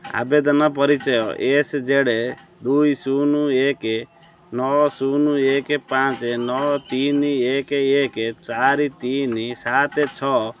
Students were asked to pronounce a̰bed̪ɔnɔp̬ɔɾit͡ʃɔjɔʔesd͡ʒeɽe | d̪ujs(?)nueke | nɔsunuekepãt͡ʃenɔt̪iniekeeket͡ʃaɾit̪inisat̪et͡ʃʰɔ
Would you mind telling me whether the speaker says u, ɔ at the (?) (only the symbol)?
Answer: u